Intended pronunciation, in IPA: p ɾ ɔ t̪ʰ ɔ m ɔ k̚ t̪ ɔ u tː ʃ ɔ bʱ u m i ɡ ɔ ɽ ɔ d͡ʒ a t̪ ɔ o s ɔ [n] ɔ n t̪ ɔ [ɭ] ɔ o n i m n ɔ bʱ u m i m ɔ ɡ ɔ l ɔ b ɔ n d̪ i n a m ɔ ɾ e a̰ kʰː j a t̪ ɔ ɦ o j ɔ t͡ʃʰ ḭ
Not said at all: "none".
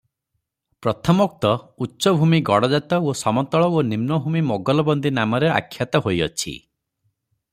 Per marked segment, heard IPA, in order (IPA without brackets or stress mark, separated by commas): m, ɭ